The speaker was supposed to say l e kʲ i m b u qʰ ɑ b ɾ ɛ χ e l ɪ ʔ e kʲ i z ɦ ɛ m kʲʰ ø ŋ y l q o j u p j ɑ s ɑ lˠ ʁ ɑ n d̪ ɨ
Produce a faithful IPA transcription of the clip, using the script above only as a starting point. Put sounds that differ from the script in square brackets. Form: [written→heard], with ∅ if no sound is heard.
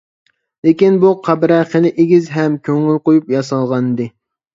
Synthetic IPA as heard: l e kʲ i [m→n] b u qʰ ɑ b ɾ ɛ χ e l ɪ ʔ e [kʲ→ɡʲ] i z ɦ ɛ m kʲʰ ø ŋ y l q o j u p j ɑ s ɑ lˠ ʁ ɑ n d̪ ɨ